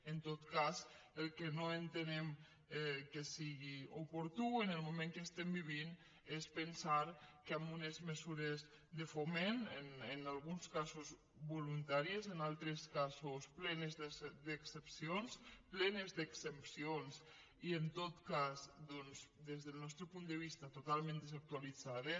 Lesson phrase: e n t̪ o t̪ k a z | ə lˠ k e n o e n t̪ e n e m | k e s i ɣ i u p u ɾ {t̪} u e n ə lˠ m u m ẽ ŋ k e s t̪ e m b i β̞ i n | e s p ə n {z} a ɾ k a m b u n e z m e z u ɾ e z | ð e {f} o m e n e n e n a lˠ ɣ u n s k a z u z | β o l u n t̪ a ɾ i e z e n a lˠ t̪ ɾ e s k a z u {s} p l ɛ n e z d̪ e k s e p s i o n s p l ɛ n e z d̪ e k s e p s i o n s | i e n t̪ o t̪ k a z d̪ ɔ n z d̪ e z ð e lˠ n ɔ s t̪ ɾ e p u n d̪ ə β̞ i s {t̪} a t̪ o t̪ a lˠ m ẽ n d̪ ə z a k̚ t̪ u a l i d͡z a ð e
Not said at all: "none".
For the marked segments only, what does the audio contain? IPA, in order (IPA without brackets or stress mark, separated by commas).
t̪, s, f, s, t̪